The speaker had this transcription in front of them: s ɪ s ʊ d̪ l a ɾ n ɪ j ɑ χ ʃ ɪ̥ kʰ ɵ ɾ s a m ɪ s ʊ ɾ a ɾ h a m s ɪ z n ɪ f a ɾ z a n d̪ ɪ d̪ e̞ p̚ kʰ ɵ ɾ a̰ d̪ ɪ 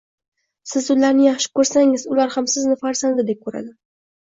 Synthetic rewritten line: s ɪ z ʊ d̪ l a ɾ n ɪ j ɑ χ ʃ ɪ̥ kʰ ɵ ɾ s a ŋ ɪ z ʊ l a ɾ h a m s ɪ z n ɪ f a ɾ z a n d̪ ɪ d̪ e̞ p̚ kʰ ɵ ɾ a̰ d̪ ɪ